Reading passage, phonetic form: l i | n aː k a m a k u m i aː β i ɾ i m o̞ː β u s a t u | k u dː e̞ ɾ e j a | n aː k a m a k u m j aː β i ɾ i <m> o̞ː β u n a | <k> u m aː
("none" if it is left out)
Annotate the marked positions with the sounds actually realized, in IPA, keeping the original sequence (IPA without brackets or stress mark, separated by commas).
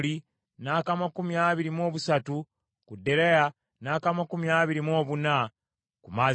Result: m, k